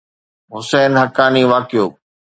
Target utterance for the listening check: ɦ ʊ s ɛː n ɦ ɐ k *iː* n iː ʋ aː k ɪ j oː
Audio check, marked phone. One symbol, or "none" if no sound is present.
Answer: aː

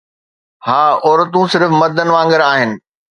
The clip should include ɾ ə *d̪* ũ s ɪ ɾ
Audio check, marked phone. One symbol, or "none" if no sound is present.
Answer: t̪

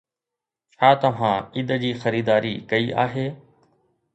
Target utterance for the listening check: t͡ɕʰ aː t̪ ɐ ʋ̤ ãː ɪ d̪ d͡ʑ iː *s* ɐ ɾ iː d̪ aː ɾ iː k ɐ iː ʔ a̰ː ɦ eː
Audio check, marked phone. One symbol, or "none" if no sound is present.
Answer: x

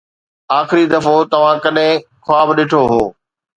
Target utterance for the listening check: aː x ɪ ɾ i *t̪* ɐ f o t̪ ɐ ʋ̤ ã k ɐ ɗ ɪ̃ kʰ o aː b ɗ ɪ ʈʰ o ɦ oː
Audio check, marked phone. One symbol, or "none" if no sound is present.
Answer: d̪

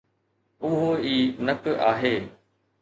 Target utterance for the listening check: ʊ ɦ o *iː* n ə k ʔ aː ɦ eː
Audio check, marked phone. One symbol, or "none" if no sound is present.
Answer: iː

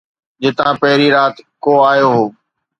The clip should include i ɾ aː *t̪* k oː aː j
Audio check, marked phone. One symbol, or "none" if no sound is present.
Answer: t̪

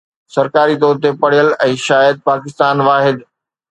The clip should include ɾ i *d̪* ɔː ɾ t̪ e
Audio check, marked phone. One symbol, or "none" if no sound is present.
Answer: t̪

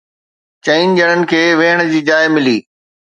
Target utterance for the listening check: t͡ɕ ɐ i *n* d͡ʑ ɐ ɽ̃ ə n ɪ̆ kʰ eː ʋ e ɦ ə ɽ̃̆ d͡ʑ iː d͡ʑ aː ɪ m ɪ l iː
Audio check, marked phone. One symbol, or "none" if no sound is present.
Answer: n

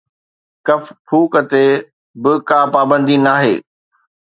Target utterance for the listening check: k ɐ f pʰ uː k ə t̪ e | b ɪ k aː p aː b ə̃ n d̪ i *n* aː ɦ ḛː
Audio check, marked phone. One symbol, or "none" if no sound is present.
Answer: n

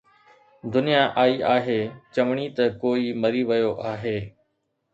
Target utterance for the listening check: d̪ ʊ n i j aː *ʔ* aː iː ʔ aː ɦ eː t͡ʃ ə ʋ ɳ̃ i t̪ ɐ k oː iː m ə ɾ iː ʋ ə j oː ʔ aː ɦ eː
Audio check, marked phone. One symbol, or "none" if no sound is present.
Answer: ʔ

